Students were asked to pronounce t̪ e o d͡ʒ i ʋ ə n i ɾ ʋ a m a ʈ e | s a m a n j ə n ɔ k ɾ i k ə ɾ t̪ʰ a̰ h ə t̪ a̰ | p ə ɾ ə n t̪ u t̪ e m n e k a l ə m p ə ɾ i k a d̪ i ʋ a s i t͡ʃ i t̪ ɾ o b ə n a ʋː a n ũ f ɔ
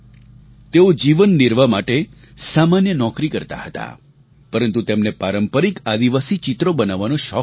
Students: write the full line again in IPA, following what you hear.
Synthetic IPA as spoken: t̪ e o d͡ʒ i ʋ ə nː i ɾ ʋ a m a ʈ e | s a m a n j ə n ɔ k ɾ i k ə ɾ t̪ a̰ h ə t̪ a̰ | p ə ɾ ə n t̪ u t̪ e m n e p a ɾ ə m p ə ɾ i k a d̪ i ʋ a s i t͡ʃ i t̪ ɾ o b ə n a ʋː a n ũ ʃ ɔ